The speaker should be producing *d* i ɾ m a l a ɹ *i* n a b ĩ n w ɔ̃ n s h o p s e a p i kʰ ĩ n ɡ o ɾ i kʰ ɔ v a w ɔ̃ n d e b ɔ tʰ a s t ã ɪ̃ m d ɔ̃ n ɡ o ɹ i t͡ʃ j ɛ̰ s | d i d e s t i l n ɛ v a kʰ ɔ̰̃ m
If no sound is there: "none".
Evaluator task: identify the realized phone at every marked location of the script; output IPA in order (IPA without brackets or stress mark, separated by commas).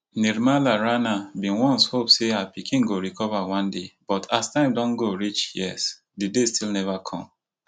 n, a